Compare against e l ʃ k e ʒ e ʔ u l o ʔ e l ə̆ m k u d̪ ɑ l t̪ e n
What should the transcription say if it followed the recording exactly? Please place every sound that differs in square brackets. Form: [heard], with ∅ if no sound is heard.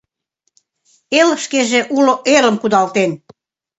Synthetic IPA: e l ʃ k e ʒ e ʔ u l o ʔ e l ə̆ m k u d̪ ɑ l t̪ e n